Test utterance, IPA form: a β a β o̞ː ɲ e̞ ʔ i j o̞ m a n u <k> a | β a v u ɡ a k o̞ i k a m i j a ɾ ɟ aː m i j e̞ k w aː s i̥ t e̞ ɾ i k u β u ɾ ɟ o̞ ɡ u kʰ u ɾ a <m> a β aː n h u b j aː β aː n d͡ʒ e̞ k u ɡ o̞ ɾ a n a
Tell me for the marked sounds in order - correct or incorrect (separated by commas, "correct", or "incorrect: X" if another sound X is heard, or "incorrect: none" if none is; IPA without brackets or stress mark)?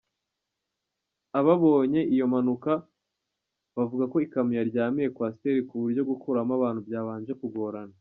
correct, correct